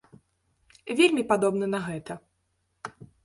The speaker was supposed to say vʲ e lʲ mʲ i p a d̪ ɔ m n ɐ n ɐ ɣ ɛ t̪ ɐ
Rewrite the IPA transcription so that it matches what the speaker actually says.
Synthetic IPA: vʲ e lʲ mʲ i p a d̪ ɔ b n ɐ n ɐ ɣ ɛ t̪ ɐ